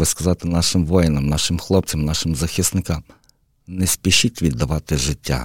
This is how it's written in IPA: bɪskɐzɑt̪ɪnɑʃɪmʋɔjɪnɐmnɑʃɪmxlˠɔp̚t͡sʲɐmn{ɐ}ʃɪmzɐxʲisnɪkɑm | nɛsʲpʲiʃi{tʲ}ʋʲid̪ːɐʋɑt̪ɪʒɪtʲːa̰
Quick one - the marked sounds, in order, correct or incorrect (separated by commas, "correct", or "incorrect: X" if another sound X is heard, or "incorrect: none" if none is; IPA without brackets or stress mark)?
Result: incorrect: ɑ, correct